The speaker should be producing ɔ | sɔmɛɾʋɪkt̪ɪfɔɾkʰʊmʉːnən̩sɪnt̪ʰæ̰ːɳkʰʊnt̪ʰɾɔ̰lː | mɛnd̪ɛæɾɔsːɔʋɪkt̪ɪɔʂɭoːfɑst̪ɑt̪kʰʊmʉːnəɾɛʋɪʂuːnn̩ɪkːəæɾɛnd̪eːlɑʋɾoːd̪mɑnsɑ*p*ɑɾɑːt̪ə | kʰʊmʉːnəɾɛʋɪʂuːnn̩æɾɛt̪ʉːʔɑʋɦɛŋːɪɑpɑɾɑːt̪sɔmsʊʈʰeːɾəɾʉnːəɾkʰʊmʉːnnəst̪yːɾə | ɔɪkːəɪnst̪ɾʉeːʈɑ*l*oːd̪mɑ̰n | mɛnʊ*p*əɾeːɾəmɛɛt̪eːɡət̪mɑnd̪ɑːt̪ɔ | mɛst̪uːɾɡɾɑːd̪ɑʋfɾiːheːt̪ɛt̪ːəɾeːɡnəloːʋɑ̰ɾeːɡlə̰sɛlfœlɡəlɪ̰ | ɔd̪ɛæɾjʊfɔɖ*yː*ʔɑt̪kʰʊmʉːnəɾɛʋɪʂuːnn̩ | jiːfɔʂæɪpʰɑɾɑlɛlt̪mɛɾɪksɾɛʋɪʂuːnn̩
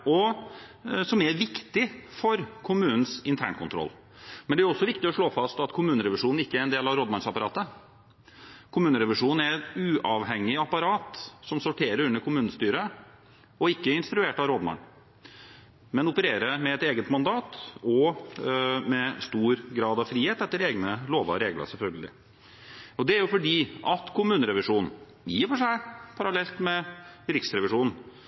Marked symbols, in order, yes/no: yes, no, yes, no

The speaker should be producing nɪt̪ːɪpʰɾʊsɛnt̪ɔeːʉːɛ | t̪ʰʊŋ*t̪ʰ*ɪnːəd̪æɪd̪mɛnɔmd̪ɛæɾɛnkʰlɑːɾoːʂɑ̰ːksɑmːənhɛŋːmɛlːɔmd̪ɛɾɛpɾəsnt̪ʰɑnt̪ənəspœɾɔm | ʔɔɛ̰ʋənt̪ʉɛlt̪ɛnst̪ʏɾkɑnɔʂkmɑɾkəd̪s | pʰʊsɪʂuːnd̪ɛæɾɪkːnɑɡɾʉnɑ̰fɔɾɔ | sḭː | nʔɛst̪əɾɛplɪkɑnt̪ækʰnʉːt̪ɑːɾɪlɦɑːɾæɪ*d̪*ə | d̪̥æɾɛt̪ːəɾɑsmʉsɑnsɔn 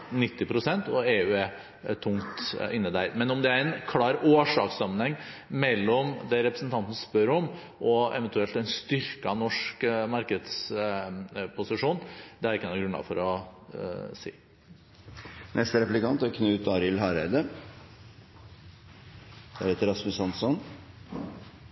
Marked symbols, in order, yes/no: no, yes

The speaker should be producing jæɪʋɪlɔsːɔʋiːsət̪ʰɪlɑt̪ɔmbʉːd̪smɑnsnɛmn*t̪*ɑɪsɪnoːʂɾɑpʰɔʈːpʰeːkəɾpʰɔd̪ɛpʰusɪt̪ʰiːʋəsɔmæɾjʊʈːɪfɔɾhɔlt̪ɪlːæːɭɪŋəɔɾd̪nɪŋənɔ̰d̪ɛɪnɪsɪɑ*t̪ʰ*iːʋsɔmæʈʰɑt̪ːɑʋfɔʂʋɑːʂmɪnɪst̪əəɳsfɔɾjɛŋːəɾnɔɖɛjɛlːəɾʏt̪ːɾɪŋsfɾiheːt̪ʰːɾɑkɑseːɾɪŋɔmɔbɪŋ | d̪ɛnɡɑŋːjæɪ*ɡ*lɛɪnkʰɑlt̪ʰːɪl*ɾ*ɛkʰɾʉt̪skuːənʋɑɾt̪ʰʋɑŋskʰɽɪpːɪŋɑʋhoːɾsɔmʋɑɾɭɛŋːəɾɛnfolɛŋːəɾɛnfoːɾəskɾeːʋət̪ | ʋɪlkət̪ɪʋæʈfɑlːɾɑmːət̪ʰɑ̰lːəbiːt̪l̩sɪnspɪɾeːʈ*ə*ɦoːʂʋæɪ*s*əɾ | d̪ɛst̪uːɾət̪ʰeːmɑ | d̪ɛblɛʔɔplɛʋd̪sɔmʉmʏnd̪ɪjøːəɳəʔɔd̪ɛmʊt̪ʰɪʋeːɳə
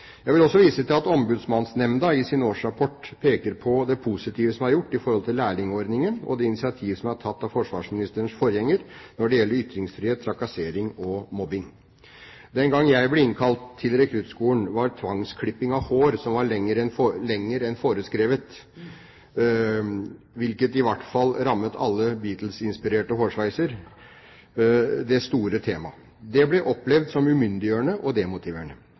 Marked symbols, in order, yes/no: no, yes, no, yes, yes, yes

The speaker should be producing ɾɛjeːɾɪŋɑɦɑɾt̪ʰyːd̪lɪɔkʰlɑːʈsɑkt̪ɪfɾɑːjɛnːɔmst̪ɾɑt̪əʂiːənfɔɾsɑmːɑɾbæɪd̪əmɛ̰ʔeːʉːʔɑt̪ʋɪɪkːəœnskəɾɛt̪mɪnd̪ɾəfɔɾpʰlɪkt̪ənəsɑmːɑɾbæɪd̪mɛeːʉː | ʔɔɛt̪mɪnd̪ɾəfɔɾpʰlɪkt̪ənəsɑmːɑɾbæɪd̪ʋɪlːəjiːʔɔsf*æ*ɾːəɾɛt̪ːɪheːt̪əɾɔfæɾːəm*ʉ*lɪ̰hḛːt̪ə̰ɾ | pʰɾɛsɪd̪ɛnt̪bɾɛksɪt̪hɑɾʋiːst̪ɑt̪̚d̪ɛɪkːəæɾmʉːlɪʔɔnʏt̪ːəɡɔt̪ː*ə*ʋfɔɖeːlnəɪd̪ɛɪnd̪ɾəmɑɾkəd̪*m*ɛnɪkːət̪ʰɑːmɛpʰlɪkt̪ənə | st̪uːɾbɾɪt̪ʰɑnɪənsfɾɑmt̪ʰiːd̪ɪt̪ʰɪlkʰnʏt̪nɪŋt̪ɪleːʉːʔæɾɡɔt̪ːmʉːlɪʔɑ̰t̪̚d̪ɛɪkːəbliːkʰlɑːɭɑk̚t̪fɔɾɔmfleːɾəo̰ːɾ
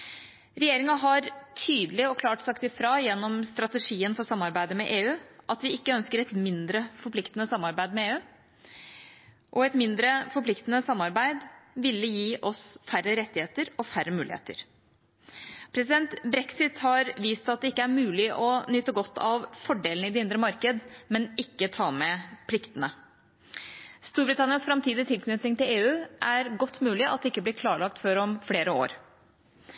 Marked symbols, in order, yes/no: yes, no, no, yes

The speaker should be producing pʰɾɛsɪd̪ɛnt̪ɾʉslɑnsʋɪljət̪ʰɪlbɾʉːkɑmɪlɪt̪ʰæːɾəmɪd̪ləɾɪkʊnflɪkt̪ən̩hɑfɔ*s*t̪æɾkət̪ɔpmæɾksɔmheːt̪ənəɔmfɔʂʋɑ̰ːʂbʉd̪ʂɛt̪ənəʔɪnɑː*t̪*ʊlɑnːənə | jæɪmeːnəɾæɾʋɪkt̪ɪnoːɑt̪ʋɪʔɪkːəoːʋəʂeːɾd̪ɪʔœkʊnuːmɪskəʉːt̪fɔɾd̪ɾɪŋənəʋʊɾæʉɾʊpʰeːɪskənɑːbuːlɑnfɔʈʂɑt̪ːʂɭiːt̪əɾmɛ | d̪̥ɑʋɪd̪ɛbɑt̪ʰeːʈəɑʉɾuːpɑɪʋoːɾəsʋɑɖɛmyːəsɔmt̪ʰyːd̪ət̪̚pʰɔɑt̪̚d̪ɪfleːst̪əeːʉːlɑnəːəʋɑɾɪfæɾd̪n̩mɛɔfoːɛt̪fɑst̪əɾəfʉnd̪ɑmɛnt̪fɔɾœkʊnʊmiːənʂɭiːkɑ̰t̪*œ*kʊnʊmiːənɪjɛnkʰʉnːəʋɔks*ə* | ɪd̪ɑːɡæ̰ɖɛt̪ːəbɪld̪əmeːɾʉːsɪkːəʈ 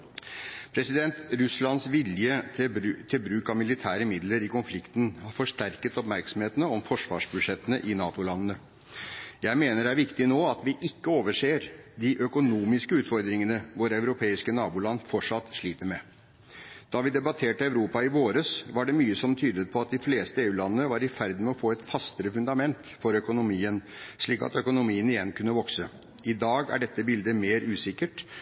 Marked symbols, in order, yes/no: no, yes, yes, yes

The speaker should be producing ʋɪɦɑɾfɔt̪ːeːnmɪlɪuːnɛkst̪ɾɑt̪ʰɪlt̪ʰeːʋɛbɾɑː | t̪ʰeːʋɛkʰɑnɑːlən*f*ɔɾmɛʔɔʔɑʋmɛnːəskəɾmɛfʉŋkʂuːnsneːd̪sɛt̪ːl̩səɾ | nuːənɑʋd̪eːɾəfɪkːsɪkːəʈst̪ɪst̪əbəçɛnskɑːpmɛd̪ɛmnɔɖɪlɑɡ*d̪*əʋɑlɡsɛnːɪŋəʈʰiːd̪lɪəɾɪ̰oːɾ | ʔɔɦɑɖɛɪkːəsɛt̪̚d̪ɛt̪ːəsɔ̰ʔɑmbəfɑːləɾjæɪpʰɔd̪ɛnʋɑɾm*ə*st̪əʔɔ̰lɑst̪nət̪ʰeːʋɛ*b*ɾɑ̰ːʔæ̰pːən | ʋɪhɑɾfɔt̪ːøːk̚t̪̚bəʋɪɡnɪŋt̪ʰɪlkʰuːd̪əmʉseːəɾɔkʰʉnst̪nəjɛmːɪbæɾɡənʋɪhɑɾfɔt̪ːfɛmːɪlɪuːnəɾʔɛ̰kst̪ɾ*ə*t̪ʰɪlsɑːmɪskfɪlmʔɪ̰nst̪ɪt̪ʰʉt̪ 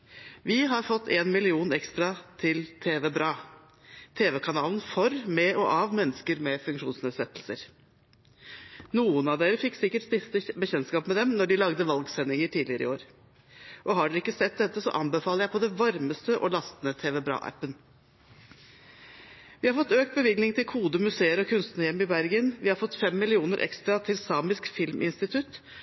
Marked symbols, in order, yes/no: yes, yes, yes, yes, no

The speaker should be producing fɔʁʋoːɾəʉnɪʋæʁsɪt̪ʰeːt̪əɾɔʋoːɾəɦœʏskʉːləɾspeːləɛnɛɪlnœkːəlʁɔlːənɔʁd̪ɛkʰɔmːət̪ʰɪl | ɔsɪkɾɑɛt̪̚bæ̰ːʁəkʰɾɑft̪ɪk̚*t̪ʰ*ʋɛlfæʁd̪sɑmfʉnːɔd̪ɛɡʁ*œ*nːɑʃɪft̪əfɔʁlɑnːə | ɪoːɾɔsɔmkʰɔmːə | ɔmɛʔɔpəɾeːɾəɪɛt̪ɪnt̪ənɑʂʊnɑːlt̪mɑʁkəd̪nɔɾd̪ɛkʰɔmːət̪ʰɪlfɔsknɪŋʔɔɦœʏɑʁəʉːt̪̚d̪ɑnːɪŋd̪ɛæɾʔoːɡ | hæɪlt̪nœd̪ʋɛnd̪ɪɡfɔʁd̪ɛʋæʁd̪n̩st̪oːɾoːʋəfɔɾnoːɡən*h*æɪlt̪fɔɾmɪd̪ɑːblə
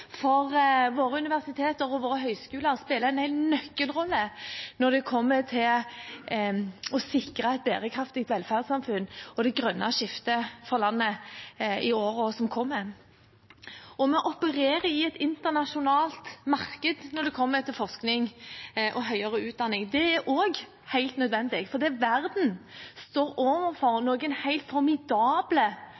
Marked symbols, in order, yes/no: no, yes, yes

